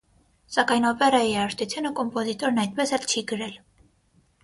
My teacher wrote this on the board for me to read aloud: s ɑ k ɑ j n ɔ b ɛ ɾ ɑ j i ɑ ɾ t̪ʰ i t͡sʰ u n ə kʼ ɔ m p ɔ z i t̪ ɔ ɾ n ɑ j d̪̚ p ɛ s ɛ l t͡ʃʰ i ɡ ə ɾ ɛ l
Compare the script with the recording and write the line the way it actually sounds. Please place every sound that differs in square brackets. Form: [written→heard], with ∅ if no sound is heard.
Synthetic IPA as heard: s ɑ k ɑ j n ɔ [b→p] ɛ ɾ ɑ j i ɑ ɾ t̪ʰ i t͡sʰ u n ə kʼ ɔ m p ɔ z i t̪ ɔ ɾ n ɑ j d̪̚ p ɛ s ɛ l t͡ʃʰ i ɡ ə ɾ ɛ l